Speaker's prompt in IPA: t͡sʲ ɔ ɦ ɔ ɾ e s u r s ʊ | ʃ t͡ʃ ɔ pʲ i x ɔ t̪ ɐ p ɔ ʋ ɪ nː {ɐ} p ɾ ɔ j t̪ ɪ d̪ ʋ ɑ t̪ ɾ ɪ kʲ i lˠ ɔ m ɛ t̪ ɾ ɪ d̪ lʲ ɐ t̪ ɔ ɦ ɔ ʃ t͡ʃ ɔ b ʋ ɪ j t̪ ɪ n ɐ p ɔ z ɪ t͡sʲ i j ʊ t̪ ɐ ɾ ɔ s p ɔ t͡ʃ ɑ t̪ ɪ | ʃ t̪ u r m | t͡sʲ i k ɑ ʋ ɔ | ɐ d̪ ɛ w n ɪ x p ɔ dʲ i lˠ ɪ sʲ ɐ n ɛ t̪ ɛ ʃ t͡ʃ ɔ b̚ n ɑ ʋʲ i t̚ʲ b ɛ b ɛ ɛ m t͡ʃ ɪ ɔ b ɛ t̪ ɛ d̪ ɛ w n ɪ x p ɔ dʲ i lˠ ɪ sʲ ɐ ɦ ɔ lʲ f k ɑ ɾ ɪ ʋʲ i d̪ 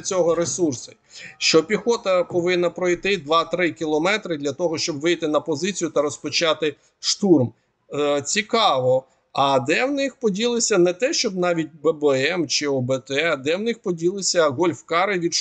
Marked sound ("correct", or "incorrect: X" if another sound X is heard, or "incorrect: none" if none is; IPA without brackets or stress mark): correct